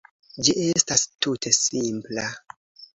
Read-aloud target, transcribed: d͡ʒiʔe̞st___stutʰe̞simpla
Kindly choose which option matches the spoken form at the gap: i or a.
a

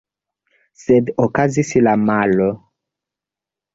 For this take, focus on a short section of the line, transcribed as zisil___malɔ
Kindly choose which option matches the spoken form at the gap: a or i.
a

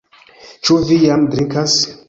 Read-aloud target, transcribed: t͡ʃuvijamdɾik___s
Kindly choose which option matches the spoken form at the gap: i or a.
a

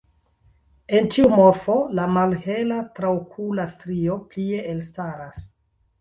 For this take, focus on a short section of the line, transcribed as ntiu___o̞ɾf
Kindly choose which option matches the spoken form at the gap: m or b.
m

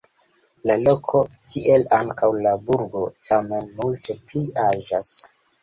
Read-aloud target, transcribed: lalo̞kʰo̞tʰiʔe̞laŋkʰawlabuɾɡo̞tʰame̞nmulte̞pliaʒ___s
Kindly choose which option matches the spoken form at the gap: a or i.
a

